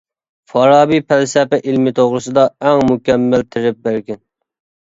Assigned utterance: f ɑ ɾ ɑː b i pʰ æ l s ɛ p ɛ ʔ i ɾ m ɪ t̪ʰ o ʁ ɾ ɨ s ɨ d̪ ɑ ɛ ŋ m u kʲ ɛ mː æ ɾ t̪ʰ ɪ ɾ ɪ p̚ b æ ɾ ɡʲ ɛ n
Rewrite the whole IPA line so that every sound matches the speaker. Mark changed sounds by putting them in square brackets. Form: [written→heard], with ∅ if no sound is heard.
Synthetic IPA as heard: f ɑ ɾ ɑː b i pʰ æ l s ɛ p ɛ ʔ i [ɾ→l] m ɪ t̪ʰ o ʁ ɾ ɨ s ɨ d̪ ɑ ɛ ŋ m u kʲ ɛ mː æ [ɾ→l] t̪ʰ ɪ ɾ ɪ p̚ b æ ɾ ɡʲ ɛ n